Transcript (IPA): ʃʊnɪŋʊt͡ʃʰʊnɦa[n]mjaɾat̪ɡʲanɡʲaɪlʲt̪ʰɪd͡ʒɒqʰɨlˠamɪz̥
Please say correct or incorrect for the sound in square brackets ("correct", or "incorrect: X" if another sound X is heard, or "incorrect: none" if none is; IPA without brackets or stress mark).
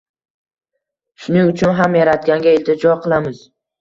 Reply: incorrect: none